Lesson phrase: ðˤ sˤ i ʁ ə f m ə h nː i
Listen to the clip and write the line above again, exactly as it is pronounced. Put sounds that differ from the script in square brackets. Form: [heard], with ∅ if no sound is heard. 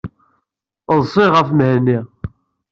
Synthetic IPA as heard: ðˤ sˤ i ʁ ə f m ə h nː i